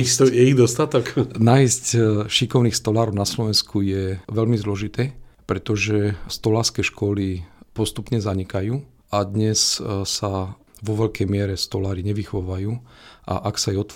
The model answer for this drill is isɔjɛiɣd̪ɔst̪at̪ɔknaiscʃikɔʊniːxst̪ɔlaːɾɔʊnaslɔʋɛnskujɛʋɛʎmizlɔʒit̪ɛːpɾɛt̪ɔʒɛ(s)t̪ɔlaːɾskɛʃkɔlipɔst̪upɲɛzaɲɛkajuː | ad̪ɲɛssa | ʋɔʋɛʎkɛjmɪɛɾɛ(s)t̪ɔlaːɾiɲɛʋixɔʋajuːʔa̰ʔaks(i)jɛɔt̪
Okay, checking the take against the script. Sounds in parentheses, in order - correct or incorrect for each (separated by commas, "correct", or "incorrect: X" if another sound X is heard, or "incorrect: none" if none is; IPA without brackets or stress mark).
correct, correct, incorrect: a